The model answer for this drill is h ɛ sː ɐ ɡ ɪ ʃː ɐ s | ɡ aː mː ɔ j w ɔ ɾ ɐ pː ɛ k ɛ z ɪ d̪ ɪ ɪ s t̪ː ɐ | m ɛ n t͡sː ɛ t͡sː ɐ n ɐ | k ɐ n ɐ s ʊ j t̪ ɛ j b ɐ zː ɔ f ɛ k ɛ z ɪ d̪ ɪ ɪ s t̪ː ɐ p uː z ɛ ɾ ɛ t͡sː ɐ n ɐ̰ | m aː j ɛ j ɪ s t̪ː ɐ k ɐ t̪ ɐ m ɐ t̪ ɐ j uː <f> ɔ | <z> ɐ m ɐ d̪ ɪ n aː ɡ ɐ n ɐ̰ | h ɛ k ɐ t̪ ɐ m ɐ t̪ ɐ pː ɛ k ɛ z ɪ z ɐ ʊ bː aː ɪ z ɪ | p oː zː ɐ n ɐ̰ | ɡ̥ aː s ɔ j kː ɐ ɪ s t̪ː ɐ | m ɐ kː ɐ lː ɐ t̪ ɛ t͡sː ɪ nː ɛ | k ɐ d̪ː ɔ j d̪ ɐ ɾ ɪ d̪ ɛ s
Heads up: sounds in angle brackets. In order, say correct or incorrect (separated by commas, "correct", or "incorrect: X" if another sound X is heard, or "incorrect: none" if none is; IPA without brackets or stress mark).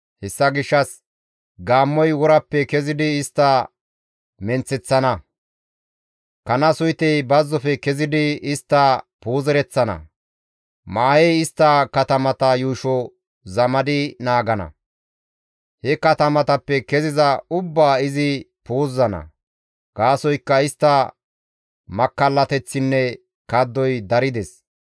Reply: incorrect: ʃ, correct